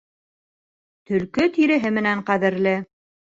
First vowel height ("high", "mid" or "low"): mid